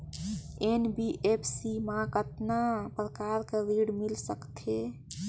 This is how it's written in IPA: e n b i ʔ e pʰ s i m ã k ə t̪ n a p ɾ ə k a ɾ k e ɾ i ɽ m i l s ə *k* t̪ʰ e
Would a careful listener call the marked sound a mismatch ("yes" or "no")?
no